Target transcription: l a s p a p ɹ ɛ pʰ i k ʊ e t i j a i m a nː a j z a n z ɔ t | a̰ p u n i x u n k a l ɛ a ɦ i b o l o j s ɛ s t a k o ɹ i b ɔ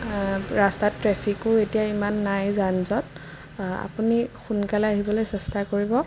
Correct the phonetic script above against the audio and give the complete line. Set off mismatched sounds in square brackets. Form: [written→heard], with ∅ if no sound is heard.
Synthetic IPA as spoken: [l→ɹ] a s [p→t] a [p→t] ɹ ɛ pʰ i k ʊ e t i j a i m a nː a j z a n z ɔ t | a̰ p u n i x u n k a l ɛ a ɦ i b [o→ɔ] l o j s ɛ s t a k o ɹ i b ɔ

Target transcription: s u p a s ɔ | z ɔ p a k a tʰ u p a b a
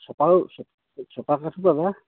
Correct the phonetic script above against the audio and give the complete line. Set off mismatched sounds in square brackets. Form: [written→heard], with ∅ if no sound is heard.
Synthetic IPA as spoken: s [u→ɔ] p a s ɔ | [z→s] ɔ p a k a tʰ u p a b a

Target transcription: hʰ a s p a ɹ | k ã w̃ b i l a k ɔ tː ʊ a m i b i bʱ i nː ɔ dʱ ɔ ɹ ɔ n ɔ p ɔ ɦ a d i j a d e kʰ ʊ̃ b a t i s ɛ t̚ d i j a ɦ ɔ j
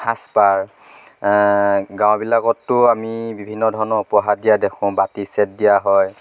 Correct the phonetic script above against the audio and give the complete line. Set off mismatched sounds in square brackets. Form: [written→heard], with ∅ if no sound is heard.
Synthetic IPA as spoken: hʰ a s p a ɹ | [k→ɡ] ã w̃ b i l a k ɔ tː ʊ a m i b i bʱ i nː ɔ dʱ ɔ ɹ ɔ n ɔ p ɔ ɦ a d i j a d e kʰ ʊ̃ b a t i s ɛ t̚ d i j a ɦ ɔ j

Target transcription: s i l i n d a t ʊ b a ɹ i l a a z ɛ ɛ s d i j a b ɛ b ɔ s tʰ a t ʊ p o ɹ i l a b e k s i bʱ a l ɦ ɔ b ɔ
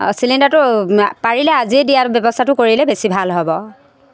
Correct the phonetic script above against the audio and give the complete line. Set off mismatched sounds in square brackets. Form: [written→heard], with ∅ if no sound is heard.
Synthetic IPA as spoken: s i l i n d a t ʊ [b→p] a ɹ i l [a→ɛ] a z [ɛ→i] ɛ [s→∅] d i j a b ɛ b ɔ s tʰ a t ʊ [p→k] o ɹ i l [a→ɛ] b e [k→∅] s i bʱ a l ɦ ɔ b ɔ

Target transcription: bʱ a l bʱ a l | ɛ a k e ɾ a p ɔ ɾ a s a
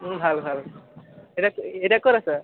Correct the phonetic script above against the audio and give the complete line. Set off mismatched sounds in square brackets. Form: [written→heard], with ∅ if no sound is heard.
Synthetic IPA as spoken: bʱ a l bʱ a l | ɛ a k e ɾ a [p→k] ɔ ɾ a s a

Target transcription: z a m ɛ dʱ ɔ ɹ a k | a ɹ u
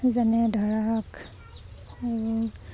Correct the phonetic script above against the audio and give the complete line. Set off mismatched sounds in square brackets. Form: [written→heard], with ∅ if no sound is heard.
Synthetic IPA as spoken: z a [m→n] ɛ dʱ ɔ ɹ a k | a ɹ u

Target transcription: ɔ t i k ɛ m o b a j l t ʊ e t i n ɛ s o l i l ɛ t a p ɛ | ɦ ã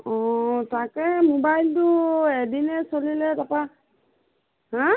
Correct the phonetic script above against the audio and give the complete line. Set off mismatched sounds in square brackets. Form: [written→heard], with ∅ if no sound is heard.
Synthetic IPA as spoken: ɔ t [i→a] k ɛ m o b a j l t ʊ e [t→d] i n ɛ s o l i l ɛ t a p [ɛ→a] | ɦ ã

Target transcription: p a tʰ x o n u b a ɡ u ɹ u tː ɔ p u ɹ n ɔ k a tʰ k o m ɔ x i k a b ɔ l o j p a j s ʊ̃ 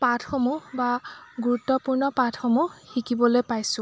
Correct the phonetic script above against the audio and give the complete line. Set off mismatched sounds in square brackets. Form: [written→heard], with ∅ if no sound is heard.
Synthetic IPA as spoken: p a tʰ x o [n→m] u b a ɡ u ɹ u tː ɔ p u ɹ n ɔ [k→p] a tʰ [k→x] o m [ɔ→u] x i k [a→i] b ɔ l o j p a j s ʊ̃

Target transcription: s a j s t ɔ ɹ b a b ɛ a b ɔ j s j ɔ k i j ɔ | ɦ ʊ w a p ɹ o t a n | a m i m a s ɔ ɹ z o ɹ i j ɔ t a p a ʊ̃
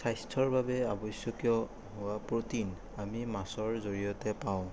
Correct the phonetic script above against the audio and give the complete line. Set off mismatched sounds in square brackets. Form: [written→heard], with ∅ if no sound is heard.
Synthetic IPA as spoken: s a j s [t→tʰ] ɔ ɹ b a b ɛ a b ɔ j s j ɔ k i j ɔ | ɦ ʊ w a p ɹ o t [a→i] n | a m i m a s ɔ ɹ z o ɹ i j ɔ t [a→ɛ] p a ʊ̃

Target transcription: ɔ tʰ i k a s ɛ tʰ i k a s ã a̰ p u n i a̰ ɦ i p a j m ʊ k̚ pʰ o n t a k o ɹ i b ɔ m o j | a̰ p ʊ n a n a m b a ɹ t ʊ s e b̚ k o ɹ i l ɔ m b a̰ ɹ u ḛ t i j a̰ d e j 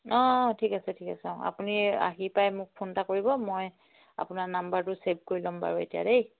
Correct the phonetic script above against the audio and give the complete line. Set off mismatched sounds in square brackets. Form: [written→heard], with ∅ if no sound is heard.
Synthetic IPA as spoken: ɔ tʰ i k a s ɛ tʰ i k a s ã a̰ p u n i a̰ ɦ i p a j m ʊ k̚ pʰ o n t a k o ɹ i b ɔ m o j | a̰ p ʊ n a n a m b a ɹ t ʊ s e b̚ k o ɹ i l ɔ m b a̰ ɹ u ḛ t i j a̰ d e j

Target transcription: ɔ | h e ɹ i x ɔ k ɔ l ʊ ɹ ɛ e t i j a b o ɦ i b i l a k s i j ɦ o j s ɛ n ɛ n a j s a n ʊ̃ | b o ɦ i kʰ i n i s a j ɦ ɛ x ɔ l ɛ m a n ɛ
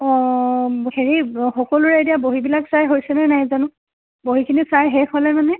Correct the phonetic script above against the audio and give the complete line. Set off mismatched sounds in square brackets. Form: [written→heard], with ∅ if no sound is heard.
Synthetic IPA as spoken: ɔ | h e ɹ i x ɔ k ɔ l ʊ ɹ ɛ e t i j a b o ɦ i b i l a k s [i→a] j ɦ o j s ɛ n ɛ n a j [s→z] a n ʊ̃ | b o ɦ i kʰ i n i s a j ɦ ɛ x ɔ l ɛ m a n ɛ

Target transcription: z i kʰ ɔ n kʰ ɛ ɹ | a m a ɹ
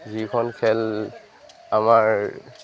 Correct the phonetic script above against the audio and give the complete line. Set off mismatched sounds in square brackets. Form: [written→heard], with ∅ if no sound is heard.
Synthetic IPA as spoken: z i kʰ ɔ n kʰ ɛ [ɹ→l] | a m a ɹ

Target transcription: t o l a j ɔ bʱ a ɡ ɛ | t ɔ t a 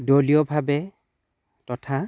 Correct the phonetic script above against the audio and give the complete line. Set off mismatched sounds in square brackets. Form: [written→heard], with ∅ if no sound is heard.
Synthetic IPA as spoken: [t→d] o l [a→i] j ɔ bʱ a [ɡ→b] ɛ | t ɔ [t→tʰ] a

